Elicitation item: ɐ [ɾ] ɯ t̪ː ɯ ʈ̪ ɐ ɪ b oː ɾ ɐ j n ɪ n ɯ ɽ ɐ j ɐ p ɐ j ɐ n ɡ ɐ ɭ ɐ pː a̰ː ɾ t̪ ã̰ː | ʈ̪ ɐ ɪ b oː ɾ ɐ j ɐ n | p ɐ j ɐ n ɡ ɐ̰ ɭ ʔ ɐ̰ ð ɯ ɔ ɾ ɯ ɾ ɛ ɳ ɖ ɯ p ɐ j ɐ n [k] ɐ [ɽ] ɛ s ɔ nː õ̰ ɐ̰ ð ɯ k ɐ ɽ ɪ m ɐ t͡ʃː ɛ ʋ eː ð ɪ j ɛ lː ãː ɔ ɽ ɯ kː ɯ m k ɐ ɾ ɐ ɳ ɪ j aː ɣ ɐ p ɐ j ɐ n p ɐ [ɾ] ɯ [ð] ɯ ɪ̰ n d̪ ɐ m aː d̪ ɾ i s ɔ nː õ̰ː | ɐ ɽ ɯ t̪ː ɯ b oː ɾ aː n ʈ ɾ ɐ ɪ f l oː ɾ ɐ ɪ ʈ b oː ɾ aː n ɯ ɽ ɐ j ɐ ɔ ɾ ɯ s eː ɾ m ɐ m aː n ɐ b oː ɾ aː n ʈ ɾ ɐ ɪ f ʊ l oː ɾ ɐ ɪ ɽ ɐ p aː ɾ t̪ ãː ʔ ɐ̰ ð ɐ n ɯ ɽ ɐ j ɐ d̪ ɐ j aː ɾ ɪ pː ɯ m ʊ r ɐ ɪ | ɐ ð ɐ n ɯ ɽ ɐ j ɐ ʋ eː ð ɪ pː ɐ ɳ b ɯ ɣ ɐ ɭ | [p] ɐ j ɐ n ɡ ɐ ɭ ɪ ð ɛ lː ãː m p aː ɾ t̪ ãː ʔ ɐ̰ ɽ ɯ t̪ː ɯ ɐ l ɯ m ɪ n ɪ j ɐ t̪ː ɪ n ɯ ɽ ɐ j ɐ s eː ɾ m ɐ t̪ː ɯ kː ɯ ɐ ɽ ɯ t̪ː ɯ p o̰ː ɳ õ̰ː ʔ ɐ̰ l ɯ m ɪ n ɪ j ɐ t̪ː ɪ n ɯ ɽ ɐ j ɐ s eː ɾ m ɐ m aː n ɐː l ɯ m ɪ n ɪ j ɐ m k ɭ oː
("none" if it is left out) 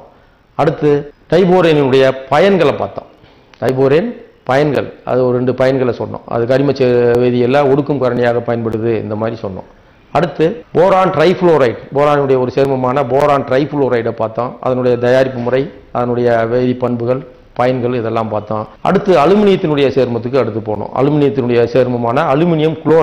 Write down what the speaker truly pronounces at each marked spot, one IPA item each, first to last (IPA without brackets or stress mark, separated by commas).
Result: ɽ, ɡ, ɭ, ɽ, ð, p